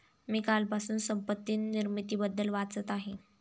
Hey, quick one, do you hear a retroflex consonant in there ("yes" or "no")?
no